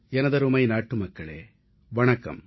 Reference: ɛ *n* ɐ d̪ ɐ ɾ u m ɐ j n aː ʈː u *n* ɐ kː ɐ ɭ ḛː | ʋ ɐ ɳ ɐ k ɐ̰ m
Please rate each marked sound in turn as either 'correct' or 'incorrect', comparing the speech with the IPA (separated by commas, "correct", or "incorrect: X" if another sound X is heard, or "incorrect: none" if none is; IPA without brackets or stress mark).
correct, incorrect: m